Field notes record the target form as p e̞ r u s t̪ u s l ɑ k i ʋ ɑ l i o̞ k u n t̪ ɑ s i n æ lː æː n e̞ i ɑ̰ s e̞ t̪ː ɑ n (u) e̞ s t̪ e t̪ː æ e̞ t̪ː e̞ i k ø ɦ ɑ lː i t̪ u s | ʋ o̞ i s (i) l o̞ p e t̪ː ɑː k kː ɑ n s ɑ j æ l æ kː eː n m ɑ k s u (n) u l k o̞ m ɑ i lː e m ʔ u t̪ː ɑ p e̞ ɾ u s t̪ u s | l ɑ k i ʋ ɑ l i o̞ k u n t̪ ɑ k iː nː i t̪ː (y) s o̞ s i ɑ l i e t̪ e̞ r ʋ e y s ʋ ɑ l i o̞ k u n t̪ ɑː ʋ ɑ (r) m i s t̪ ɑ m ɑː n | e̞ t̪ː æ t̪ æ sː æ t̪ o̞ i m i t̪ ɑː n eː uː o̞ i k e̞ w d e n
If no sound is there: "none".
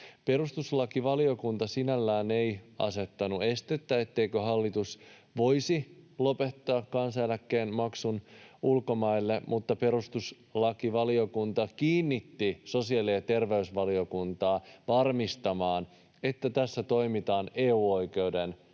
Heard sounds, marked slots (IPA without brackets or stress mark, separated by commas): u, i, n, i, r